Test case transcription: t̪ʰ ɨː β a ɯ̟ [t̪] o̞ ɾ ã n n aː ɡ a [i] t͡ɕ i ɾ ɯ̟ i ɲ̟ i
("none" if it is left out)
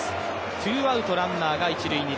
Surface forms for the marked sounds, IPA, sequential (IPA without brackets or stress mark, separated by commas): t̪, i